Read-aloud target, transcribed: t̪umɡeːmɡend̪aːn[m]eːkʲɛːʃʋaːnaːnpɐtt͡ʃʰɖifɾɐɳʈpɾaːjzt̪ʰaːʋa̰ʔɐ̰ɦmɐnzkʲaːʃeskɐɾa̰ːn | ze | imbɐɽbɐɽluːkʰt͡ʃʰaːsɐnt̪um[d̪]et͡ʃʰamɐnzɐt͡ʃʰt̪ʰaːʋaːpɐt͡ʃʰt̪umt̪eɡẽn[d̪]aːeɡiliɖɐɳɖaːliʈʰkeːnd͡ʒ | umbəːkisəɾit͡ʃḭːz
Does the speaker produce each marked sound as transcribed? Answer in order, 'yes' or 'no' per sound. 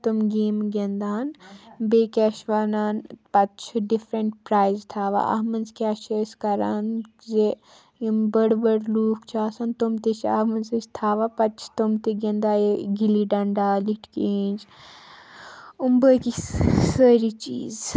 no, no, yes

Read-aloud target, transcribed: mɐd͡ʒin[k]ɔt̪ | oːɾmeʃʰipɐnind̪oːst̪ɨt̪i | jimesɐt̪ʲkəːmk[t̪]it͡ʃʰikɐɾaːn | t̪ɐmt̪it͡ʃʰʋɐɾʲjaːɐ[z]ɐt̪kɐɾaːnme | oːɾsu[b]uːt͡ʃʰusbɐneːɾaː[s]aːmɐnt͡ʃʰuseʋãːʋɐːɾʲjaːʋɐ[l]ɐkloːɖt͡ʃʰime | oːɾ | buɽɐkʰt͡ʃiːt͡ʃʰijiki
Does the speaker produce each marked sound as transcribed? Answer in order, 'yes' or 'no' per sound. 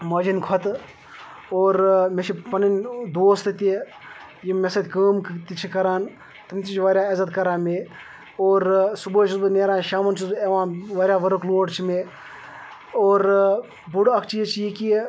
no, yes, yes, yes, no, no

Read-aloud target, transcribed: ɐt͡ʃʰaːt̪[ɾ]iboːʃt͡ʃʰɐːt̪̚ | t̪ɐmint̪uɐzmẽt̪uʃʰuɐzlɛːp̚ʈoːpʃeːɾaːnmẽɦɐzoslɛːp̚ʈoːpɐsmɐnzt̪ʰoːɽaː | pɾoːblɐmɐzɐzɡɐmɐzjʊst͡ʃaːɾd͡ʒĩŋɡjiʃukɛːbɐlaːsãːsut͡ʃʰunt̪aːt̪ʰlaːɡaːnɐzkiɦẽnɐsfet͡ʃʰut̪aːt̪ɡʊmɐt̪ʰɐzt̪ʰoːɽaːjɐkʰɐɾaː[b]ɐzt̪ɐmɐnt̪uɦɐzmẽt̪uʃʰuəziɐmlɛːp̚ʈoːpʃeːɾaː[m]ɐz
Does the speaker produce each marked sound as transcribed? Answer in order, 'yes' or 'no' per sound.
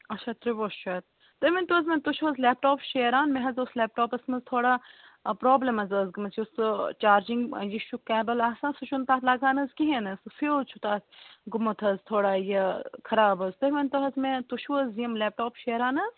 yes, yes, no

